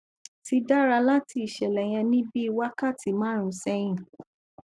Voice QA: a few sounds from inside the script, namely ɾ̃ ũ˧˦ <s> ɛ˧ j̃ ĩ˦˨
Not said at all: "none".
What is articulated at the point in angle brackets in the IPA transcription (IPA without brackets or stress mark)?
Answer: s